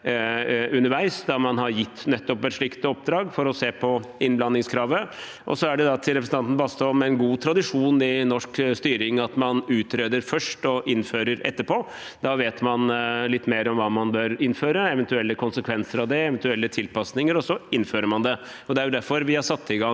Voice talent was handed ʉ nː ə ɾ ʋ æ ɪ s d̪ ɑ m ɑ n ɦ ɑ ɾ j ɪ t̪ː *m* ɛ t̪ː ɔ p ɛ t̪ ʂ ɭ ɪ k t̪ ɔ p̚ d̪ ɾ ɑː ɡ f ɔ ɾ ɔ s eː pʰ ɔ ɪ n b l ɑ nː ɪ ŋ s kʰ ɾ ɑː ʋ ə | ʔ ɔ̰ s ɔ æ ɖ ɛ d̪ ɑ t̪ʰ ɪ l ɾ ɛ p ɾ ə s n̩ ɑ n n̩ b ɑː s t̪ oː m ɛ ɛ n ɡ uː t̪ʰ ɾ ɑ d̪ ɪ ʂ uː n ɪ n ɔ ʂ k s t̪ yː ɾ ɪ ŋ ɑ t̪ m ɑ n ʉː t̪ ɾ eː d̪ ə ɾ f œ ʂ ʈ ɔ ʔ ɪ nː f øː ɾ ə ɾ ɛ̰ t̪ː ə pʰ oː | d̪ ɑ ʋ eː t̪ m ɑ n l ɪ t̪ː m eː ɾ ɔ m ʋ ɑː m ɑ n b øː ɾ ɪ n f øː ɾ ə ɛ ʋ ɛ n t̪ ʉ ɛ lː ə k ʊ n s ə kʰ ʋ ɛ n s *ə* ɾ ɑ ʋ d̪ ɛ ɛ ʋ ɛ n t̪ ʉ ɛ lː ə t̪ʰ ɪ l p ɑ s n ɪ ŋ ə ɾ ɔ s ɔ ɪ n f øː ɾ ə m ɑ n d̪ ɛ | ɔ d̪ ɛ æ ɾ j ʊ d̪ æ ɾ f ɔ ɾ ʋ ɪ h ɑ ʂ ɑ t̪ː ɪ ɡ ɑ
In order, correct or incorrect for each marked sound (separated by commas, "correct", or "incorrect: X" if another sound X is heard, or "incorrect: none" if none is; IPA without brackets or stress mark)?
incorrect: n, correct